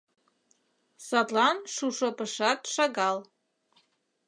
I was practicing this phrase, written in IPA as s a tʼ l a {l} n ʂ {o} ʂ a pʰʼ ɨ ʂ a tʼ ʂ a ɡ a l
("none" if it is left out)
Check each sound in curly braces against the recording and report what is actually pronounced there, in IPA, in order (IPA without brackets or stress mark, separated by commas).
none, u